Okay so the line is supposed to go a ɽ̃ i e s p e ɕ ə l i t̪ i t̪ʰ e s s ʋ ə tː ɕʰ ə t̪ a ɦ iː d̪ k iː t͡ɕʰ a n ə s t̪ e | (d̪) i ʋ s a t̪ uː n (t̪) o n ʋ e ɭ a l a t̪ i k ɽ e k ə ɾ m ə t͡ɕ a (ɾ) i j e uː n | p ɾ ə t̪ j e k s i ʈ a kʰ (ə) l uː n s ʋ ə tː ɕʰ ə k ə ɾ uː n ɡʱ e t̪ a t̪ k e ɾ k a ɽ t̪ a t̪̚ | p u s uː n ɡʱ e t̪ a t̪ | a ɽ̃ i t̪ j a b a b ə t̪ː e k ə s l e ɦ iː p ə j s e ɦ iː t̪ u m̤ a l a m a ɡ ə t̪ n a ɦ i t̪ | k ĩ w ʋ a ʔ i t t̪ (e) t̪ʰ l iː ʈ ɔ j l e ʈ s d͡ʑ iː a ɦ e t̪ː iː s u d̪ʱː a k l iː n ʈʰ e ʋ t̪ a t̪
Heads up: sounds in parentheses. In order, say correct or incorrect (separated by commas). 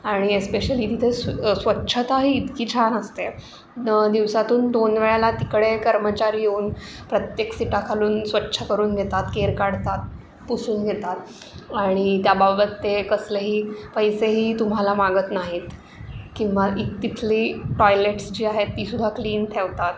correct, incorrect, correct, incorrect, incorrect